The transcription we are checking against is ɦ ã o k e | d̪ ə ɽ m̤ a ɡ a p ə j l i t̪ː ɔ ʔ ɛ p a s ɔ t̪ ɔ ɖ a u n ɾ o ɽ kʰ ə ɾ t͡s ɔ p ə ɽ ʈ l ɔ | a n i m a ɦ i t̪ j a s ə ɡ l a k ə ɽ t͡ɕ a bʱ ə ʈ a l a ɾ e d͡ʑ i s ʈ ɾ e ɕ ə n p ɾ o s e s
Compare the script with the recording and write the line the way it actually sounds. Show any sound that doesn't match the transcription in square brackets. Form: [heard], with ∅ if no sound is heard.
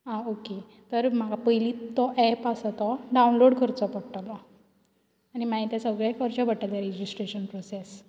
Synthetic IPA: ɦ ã o k e | [t̪] ə [ɾ] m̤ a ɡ a p ə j l i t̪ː ɔ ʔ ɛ p a s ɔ t̪ ɔ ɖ a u n [l] o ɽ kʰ ə ɾ t͡s ɔ p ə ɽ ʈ l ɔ | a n i m a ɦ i t̪ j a s ə ɡ [ɭ] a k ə [ɾ] t͡ɕ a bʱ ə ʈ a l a ɾ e d͡ʑ i s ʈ ɾ e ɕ ə n p ɾ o s e s